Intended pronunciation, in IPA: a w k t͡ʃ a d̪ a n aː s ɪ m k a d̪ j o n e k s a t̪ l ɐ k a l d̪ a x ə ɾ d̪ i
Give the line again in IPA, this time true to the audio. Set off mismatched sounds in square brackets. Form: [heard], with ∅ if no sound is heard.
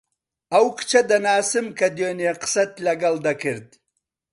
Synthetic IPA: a w k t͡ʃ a d̪ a n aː s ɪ m k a d̪ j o n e [q] s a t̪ l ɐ [ɡ] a l d̪ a [k] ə ɾ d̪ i